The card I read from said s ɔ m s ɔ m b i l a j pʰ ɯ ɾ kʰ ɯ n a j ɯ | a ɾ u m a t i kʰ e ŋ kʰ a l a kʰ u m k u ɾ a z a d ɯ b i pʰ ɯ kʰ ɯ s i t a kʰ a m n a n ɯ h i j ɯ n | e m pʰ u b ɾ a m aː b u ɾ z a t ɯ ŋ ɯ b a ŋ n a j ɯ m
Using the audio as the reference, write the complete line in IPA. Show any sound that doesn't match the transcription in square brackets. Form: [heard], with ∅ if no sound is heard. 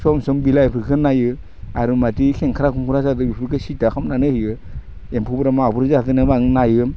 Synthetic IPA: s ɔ m s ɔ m b i l a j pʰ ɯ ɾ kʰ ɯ n a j ɯ | a ɾ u m a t i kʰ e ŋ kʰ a [ɾ] a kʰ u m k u ɾ a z a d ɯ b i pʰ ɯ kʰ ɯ s i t a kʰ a m n a n ɯ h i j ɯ [∅] | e m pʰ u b ɾ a m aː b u ɾ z a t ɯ [n] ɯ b a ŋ n a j ɯ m